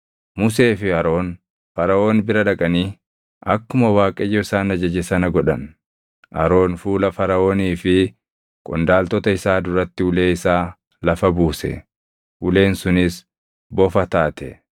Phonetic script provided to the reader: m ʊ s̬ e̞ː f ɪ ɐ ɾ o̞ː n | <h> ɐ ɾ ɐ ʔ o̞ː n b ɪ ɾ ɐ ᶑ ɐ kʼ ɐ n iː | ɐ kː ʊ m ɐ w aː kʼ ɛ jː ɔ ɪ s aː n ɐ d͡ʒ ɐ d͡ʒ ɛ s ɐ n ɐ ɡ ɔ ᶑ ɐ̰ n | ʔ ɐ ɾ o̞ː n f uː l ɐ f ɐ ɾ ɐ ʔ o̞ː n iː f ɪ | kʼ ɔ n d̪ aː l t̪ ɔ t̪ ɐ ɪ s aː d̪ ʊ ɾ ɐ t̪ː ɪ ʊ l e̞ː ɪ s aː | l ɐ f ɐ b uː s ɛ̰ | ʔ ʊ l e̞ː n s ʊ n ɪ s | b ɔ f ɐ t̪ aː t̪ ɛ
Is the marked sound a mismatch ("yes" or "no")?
yes